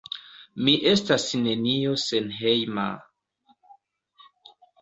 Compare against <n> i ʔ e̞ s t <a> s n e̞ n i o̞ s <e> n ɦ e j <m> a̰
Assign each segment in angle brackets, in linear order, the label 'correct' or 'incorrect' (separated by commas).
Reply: incorrect, correct, correct, correct